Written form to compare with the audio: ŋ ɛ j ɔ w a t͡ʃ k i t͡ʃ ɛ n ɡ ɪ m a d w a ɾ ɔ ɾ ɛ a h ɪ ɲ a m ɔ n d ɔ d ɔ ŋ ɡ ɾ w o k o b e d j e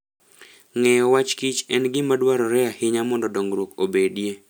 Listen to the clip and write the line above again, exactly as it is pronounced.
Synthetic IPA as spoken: ŋ ɛ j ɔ w a t͡ʃ k i t͡ʃ ɛ n ɡ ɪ m a d w a ɾ ɔ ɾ ɛ a h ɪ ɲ a m ɔ n d ɔ d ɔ ŋ ɡ ɾ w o k o b e d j e